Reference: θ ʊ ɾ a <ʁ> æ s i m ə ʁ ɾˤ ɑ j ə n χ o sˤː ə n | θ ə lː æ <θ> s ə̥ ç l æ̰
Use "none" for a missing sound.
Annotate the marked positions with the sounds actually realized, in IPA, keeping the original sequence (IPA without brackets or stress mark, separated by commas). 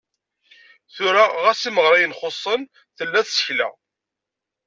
ʁ, θ